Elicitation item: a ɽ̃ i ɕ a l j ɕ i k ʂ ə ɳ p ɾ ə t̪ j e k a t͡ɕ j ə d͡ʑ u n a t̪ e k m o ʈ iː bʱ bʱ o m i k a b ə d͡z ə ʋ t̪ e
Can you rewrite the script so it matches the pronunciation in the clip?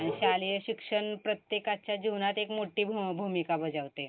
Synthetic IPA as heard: a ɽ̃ i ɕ a l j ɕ i k ʂ ə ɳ p ɾ ə t̪ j e k a t͡ɕ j a d͡ʑ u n a t̪ e k m o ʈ iː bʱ bʱ u m i k a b ə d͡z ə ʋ t̪ e